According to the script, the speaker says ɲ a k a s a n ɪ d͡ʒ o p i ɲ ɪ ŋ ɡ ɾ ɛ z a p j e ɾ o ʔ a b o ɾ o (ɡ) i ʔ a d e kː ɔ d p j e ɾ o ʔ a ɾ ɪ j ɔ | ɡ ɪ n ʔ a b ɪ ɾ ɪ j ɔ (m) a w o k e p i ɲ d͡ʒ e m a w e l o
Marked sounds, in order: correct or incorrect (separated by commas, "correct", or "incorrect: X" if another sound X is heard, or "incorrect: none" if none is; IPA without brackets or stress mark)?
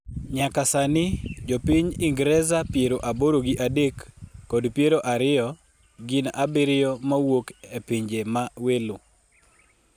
correct, correct